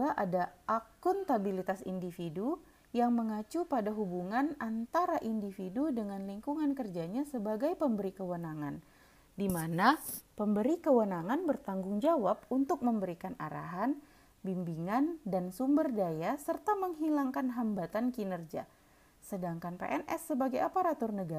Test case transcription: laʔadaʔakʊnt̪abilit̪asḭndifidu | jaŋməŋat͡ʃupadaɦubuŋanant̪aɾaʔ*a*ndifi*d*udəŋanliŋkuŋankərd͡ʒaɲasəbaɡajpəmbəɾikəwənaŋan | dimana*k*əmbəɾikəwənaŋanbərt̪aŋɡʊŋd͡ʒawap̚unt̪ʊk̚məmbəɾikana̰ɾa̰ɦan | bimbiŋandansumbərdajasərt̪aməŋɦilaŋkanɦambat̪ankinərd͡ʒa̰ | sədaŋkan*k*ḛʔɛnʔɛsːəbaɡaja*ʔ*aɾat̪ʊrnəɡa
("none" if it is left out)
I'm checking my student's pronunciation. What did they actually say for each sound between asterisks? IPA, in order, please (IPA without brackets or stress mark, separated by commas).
i, d, p, p, p